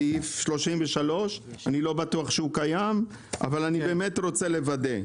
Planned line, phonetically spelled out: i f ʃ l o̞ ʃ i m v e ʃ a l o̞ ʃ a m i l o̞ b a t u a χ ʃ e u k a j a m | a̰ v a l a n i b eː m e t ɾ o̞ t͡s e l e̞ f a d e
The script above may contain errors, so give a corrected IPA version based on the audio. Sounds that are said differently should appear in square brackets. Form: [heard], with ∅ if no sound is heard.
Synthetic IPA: i f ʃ l o̞ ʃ i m v e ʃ a l o̞ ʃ a [n] i l o̞ b a t u a χ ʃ e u k a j a m | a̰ v a l a n i b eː m e t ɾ o̞ t͡s e l e̞ [v] a d e

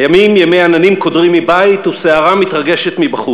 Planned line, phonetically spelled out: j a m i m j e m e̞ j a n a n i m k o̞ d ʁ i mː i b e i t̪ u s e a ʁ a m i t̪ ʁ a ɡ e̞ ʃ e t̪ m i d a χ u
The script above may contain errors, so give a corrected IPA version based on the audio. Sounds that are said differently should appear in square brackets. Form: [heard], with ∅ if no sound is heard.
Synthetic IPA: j a m i m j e m e̞ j a n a n i m k o̞ d ʁ i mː i b [a] i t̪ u s e a ʁ a m i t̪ ʁ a ɡ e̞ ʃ e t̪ m i [b] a χ u

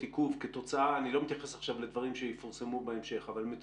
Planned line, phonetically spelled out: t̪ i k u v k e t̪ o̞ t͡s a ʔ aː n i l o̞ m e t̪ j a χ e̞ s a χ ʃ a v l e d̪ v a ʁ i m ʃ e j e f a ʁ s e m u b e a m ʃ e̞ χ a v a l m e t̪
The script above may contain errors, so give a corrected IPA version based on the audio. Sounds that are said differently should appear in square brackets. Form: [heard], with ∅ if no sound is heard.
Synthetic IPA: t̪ i k u v k e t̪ o̞ t͡s a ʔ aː n i l o̞ m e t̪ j a χ e̞ s a χ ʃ a v l e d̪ v a ʁ i m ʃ e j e f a ʁ s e m u b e [e] m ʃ e̞ χ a v a l m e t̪

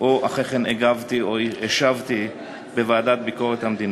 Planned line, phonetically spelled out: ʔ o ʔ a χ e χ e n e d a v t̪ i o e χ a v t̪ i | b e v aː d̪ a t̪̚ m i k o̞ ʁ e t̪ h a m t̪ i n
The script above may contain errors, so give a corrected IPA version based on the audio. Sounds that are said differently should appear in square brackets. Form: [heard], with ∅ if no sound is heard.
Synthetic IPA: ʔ o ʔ a χ e χ e n e [ɡ] a v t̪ i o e [ʃ] a v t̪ i | b e v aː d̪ a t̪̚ [b] i k o̞ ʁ e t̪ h a m [d̪] i n

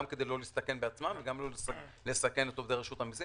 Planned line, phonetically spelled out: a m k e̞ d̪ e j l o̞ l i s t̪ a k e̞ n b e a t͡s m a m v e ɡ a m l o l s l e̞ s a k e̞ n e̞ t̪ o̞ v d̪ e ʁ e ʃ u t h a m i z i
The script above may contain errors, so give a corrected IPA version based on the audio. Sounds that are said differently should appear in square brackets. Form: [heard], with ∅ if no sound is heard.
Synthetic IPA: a m k e̞ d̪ e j l o̞ l i s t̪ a k e̞ n b e a t͡s m a m v e ɡ a m l o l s l e̞ s a k e̞ n e̞ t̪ o̞ v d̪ e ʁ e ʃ u t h a m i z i

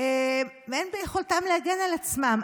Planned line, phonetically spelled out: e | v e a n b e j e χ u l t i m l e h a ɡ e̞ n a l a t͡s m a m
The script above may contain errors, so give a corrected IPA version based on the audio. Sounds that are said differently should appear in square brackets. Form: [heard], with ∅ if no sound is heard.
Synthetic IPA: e | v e [e] n b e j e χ [o] l t [a] m l e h a ɡ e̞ n a l a t͡s m a m

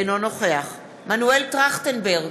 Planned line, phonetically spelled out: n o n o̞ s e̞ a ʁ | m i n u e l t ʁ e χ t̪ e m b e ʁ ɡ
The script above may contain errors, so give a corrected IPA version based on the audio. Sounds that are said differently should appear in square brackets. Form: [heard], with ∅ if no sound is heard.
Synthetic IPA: n o n o̞ [χ] e̞ a [χ] | m [a] n u e l t ʁ [a] χ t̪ e [n] b e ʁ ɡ

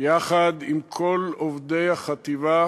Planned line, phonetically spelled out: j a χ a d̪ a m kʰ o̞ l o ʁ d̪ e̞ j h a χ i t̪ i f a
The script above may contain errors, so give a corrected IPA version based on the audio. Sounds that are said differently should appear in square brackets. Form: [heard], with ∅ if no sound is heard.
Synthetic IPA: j a χ a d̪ [i] m kʰ o̞ l o [v] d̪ e̞ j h a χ [a] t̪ i [v] a

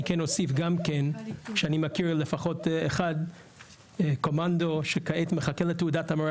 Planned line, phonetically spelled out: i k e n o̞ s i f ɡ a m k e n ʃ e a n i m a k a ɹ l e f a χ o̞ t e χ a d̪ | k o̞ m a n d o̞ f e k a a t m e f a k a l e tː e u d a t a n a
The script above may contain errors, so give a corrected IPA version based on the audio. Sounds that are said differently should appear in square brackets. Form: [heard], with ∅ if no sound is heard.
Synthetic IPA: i k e n o̞ s i f ɡ a m k e n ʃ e a n i m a k [i] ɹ l e f a χ o̞ t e χ a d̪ | k o̞ m a n d o̞ [ʃ] e k a [e] t m e [χ] a k [e] l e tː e u d a t a [m] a

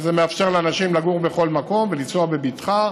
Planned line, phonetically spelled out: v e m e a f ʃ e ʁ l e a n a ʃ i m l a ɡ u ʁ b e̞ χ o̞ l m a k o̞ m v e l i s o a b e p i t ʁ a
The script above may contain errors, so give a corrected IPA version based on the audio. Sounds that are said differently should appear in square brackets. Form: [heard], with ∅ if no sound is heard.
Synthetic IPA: [z] e m e a f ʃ e ʁ l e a n a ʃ i m l a ɡ u ʁ b e̞ χ o̞ l m a k o̞ m v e l i [t͡s] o a b e [b] i t [χ] a

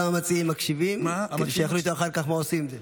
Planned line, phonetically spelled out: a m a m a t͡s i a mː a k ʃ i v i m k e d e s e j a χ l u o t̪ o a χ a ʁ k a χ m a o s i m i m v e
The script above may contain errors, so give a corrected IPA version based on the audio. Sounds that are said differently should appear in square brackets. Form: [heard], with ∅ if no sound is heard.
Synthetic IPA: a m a m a t͡s i [i] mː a k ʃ i v i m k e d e [ʃ] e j a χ l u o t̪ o a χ a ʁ k a χ m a o s i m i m [z] e

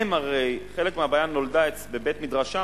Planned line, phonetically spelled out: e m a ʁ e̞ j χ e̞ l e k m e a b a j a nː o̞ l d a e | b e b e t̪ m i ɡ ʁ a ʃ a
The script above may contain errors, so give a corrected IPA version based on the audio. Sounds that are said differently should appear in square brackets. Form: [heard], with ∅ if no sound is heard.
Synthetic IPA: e m a ʁ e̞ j χ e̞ l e k m e a b a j a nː o̞ l d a e | b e b e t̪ m i [d] ʁ a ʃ a

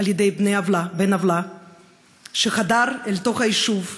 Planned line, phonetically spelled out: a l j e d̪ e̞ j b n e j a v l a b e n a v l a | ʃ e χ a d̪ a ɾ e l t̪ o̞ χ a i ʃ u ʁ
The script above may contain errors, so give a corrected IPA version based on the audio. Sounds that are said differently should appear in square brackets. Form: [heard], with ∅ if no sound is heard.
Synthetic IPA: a l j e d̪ e̞ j b n e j a v l a b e n a v l a | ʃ e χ a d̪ a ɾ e l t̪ o̞ χ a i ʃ u [v]

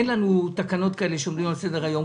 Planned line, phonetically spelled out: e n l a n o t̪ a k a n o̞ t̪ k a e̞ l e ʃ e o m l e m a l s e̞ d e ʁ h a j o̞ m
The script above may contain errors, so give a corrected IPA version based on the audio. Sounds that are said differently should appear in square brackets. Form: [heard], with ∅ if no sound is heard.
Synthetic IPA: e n l a n [u] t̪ a k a n o̞ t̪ k a e̞ l e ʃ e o m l [i] m a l s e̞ d e ʁ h a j o̞ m

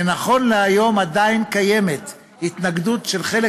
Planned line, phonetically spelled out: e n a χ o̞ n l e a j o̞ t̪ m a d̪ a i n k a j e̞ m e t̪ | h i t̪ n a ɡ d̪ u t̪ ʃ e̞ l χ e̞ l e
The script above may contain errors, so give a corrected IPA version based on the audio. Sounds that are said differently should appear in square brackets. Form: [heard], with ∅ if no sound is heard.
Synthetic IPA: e n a χ o̞ n l e a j o̞ [∅] m a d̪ a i n k a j e̞ m e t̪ | h i t̪ n a ɡ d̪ u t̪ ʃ e̞ l χ e̞ l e

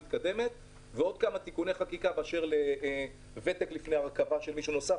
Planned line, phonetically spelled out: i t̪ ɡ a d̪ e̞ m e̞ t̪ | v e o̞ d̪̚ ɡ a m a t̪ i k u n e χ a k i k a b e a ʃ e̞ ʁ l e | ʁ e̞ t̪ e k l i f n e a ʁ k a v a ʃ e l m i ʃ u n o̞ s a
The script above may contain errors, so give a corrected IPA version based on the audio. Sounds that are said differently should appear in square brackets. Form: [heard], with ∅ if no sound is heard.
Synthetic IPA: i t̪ [k] a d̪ e̞ m e̞ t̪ | v e o̞ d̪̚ [k] a m a t̪ i k u n e χ a k i k a b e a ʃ e̞ ʁ l e | [v] e̞ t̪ e k l i f n e a ʁ k a v a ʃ e l m i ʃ u n o̞ s a

